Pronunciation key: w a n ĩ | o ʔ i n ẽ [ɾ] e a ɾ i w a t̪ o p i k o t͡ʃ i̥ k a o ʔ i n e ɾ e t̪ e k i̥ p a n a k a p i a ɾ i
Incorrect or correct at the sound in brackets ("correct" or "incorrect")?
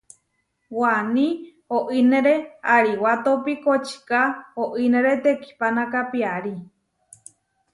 correct